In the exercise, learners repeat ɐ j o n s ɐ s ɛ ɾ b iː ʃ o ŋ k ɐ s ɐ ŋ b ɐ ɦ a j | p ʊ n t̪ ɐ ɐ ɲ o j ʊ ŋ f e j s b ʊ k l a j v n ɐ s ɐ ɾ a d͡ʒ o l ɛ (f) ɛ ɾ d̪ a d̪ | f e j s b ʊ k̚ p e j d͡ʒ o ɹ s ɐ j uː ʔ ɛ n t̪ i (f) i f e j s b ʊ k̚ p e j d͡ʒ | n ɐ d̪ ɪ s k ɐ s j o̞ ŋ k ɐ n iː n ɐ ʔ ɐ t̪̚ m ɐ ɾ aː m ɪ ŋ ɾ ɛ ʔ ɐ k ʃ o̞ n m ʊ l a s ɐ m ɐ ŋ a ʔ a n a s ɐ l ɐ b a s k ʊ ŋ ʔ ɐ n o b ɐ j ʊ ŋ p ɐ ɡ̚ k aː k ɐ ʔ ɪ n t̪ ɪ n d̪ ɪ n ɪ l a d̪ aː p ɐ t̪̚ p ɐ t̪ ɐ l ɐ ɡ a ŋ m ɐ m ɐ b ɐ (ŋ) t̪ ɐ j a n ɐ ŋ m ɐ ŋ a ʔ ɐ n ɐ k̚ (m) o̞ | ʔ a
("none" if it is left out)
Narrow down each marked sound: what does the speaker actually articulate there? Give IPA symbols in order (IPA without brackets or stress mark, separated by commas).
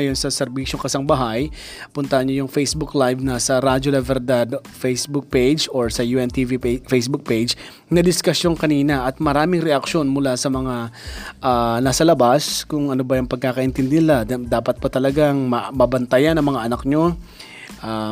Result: v, v, n, ɲ